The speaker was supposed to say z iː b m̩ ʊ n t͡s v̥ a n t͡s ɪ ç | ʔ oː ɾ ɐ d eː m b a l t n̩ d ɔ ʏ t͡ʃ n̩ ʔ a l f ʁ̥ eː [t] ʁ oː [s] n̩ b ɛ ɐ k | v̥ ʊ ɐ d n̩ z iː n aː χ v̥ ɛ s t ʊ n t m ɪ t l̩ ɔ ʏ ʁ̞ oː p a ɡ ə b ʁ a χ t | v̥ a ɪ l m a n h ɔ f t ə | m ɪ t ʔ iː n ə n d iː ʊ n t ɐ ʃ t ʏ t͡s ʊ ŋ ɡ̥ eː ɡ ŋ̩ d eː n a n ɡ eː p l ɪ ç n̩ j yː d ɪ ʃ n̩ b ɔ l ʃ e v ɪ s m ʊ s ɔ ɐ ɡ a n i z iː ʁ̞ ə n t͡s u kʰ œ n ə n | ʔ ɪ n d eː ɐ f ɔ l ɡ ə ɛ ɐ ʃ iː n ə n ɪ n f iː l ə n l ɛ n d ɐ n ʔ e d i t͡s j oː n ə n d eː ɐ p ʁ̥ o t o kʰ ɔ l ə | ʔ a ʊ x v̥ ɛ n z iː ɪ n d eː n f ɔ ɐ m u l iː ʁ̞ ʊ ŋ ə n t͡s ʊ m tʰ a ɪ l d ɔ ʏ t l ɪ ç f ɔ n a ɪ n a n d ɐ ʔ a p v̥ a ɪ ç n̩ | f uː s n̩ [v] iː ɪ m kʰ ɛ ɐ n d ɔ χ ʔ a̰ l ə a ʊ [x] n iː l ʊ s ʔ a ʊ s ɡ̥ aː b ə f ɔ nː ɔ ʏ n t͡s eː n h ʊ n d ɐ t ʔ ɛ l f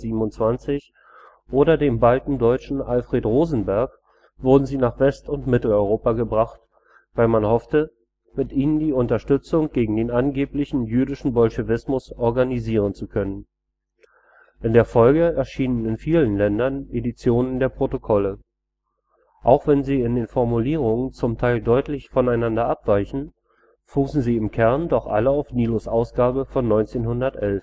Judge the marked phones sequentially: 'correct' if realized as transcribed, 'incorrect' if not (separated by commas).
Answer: correct, incorrect, incorrect, incorrect